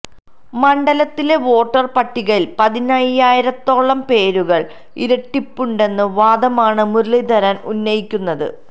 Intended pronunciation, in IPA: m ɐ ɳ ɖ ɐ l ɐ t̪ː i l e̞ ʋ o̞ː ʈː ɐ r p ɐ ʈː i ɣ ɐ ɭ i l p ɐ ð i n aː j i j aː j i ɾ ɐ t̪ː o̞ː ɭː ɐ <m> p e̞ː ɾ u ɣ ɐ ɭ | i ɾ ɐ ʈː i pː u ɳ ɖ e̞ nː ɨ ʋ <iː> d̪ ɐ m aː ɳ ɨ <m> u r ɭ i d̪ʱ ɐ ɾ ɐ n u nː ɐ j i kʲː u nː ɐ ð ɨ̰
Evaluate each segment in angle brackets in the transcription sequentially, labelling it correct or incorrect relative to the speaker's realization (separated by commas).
correct, incorrect, correct